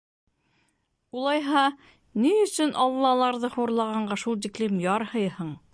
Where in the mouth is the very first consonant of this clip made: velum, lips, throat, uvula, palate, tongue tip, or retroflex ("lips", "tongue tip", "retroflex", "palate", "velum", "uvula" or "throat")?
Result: tongue tip